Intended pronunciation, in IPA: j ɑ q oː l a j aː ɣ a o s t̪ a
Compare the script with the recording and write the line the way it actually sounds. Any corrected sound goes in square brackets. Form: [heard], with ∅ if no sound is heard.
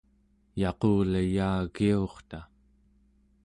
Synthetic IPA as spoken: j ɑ q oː l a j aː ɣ [i] o [χ] t̪ a

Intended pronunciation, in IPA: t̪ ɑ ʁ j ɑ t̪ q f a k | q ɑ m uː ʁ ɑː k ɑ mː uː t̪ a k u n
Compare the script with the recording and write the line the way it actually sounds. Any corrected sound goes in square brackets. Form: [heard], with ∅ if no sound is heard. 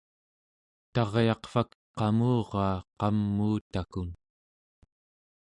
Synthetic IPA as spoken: t̪ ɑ ʁ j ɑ [∅] q f a k | q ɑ m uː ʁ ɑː [q] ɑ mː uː t̪ a k u n

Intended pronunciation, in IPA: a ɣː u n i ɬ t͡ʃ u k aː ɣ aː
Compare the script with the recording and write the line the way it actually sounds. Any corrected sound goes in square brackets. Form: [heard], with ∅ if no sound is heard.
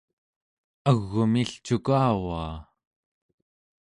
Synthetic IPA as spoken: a ɣː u [m] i ɬ t͡ʃ u k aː [w] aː

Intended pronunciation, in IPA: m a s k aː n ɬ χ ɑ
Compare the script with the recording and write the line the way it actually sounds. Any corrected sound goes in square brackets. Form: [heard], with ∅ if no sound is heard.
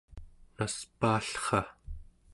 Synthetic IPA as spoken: [n] a s [p] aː [∅] ɬ χ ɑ

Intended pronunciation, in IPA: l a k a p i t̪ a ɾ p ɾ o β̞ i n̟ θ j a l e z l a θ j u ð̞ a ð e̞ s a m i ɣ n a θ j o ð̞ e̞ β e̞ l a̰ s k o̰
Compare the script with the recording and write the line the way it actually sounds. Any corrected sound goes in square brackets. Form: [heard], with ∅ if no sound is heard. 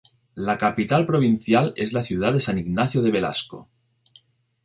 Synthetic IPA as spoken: l a k a p i t̪ a [l] p ɾ o β̞ i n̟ θ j a l e z l a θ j u ð̞ a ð e̞ s a [n] i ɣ n a θ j o ð̞ e̞ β e̞ l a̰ s k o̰

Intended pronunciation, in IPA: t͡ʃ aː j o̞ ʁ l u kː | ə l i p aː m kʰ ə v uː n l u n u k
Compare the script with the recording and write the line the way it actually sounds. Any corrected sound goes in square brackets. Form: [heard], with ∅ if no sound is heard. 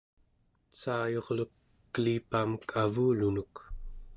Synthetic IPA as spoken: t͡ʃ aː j o̞ ʁ l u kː | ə l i p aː m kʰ [a] v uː [∅] l u n u k

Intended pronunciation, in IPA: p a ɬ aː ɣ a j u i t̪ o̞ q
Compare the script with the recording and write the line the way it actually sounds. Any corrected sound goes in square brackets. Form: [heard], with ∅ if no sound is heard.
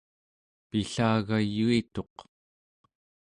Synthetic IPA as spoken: p [i] ɬ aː ɣ a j u i t̪ o̞ q

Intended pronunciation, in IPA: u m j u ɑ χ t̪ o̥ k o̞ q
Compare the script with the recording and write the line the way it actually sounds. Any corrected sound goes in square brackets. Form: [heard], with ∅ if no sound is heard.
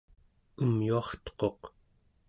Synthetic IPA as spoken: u m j u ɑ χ t̪ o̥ [q] o̞ q

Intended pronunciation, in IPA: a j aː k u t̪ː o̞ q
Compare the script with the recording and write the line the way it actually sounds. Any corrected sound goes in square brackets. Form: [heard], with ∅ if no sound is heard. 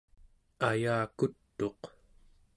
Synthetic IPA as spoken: a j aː k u t̪ː o̞ q

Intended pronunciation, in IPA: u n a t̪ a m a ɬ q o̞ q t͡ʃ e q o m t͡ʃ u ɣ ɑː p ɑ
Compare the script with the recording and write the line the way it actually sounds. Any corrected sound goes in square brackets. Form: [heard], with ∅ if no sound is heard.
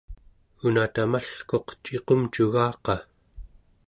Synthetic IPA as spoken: u n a t̪ a m a ɬ [k] o̞ q t͡ʃ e q o m t͡ʃ u ɣ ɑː [q] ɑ

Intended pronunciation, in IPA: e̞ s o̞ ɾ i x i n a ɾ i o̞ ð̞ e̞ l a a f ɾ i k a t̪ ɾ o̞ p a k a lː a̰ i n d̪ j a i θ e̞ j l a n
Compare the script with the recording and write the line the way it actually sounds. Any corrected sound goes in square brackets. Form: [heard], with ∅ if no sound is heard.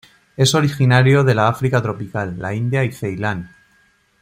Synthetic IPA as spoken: e̞ s o̞ ɾ i x i n a ɾ [j] o̞ ð̞ e̞ l a a f ɾ i k a t̪ ɾ o̞ p [i] k a lː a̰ i n d̪ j a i θ e̞ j l a n

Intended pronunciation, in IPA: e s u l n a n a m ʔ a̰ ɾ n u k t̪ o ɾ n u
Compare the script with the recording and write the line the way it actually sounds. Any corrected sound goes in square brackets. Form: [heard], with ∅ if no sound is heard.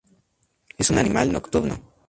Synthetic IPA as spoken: e s u [∅] n a n [i] m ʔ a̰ [l] n [o] k t̪ [u] ɾ n [o]

